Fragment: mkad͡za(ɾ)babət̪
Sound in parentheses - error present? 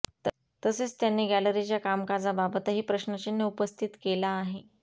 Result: yes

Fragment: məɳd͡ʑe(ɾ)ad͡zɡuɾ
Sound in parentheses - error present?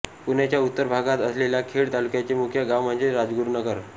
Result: no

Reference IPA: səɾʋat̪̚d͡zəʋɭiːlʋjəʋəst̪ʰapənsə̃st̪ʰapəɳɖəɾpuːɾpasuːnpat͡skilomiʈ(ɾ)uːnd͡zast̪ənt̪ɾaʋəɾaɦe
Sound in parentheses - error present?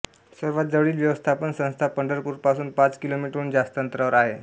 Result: no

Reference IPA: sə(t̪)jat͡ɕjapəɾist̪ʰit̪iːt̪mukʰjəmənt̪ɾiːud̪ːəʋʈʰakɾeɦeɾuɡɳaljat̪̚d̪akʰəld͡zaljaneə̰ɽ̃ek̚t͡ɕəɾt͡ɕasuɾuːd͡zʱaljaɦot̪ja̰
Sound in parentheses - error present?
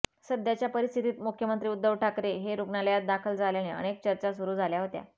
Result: yes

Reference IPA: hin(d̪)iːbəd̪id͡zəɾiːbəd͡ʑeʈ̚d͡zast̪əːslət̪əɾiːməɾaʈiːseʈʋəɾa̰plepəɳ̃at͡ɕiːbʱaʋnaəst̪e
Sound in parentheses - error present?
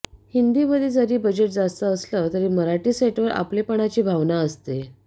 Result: no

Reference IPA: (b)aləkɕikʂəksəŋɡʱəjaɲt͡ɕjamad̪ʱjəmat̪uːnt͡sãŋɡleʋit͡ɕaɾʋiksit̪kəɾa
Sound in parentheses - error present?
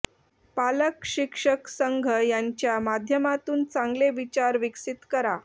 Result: yes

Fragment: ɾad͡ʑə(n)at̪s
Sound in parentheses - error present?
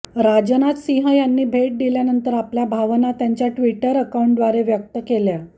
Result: no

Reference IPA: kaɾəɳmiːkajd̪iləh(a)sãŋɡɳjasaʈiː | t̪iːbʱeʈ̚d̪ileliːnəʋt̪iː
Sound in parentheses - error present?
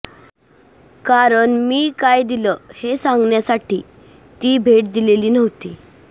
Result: yes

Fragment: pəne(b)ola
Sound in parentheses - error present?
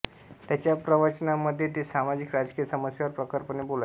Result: no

